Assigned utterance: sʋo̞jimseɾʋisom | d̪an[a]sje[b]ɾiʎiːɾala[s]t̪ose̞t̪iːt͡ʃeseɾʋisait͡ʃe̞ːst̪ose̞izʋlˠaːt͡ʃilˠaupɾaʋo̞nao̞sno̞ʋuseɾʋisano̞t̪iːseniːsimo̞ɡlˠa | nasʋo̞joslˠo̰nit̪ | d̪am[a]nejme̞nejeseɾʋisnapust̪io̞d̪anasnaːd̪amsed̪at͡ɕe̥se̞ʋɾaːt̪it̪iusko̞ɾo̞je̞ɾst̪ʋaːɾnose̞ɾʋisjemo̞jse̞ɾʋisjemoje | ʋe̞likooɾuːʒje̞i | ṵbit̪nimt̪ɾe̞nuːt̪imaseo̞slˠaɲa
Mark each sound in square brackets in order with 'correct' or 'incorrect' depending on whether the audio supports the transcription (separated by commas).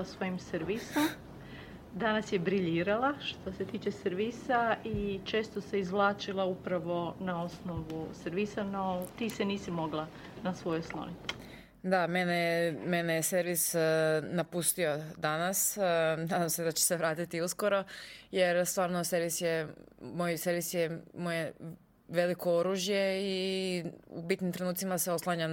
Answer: correct, correct, incorrect, incorrect